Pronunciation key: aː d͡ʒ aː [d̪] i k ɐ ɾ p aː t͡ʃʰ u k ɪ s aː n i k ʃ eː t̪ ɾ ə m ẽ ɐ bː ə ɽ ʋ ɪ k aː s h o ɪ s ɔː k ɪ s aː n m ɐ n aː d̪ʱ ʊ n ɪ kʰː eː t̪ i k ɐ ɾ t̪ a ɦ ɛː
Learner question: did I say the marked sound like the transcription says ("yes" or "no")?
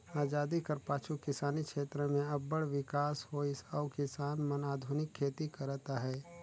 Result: yes